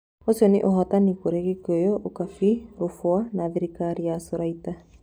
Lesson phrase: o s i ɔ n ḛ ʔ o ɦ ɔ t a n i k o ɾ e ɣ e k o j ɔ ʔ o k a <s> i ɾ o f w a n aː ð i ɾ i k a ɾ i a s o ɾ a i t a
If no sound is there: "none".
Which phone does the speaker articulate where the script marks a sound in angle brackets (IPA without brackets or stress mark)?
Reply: f